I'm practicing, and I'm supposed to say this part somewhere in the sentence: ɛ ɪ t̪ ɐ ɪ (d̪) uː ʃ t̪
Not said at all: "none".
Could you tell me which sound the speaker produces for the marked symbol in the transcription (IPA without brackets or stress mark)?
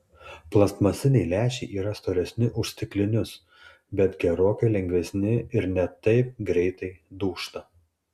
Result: d̪